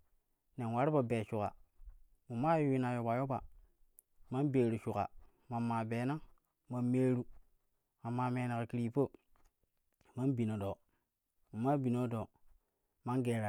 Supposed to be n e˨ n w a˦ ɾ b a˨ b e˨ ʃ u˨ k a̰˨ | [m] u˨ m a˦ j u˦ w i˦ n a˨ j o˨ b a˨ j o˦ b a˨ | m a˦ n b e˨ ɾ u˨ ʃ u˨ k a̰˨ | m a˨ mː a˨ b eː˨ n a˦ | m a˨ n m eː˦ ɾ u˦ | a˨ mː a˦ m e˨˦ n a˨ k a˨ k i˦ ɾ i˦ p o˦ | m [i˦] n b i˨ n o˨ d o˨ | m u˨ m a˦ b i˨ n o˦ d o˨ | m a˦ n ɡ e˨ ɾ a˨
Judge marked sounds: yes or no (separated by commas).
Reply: yes, no